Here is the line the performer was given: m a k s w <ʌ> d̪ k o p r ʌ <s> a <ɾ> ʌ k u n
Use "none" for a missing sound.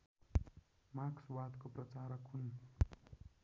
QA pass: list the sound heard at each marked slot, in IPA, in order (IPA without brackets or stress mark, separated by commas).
a, t͡s, ɾ